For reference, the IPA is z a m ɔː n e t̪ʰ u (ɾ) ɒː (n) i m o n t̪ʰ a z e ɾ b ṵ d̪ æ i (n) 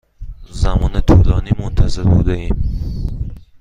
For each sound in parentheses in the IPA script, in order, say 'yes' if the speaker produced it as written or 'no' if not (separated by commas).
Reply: no, yes, no